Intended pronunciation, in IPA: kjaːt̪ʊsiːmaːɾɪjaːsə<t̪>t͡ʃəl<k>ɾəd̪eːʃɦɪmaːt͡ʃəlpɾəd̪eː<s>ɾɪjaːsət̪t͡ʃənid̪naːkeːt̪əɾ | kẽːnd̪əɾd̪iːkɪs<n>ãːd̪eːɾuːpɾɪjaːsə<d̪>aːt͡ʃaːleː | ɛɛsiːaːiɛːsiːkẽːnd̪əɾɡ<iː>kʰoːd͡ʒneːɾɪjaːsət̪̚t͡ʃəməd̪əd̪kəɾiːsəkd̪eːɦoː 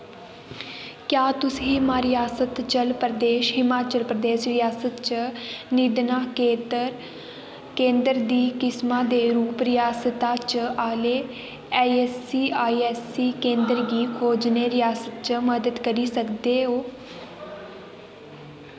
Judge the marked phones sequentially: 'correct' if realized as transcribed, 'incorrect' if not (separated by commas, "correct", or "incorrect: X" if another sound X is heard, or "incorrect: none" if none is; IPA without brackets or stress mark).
correct, incorrect: p, incorrect: ʃ, incorrect: m, incorrect: t̪, correct